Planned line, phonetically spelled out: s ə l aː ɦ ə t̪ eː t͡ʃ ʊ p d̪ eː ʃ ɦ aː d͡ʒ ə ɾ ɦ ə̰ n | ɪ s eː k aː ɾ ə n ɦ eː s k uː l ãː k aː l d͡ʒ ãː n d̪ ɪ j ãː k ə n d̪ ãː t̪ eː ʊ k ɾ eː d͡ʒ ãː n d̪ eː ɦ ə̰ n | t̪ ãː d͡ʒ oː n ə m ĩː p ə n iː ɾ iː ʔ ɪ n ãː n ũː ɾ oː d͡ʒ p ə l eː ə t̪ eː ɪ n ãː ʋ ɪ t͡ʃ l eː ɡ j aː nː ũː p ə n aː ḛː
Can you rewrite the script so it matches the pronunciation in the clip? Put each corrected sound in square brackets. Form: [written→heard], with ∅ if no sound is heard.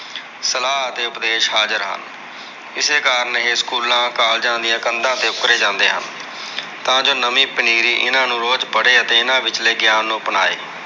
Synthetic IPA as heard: s ə l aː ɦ ə t̪ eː [t͡ʃ→∅] ʊ p d̪ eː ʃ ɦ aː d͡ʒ ə ɾ ɦ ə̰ n | ɪ s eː k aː ɾ ə n ɦ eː s k uː l ãː k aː l d͡ʒ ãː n d̪ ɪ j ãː k ə n d̪ ãː t̪ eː ʊ k ɾ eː d͡ʒ ãː n d̪ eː ɦ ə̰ n | t̪ ãː d͡ʒ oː n ə m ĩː p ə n iː ɾ iː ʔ ɪ n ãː n ũː ɾ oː d͡ʒ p ə [l→ɽ] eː ə t̪ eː ɪ n ãː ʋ ɪ t͡ʃ l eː ɡ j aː nː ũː p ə n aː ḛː